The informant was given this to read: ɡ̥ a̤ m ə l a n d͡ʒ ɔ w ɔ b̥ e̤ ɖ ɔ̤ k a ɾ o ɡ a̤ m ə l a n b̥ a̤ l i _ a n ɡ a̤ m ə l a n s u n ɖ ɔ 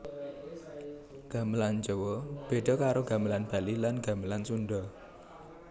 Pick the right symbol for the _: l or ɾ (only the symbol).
l